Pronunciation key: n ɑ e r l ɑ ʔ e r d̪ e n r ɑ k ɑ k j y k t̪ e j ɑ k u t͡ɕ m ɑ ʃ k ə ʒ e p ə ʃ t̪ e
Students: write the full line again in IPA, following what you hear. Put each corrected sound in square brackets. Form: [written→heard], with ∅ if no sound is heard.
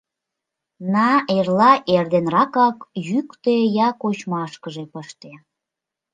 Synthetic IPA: n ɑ e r l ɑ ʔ e r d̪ e n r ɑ k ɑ k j y k t̪ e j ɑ k [u→o] t͡ɕ m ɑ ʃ k ə ʒ e p ə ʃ t̪ e